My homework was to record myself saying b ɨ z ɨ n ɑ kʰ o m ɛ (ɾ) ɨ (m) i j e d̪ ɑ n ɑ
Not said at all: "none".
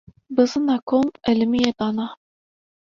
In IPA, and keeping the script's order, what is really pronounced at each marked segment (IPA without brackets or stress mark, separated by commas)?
l, m